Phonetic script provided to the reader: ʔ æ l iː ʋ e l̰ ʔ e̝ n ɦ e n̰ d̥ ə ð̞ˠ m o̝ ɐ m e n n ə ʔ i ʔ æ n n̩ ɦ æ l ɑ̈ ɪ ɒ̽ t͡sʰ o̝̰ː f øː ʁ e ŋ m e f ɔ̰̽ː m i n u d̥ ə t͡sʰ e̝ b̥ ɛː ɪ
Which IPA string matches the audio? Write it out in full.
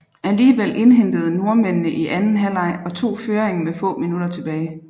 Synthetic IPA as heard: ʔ æ l iː ʋ e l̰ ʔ e̝ n ɦ e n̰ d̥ ə ð̞ˠ n o̝ ɐ m e n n ə ʔ i ʔ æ n n̩ ɦ æ l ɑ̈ ɪ ɒ̽ t͡sʰ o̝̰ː f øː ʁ e ŋ m e f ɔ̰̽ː m i n u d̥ ɐ t͡sʰ e̝ b̥ ɛː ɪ